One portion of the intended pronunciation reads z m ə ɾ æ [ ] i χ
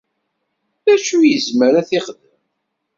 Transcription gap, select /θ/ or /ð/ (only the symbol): θ